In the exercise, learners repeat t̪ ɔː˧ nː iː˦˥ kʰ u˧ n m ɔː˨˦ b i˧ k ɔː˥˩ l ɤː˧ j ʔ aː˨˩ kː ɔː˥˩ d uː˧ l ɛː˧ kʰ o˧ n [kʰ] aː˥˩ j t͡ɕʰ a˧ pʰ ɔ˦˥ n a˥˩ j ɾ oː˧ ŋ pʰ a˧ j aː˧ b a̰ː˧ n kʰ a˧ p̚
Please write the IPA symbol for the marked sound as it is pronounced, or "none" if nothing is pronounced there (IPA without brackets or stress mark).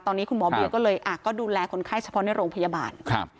kʰ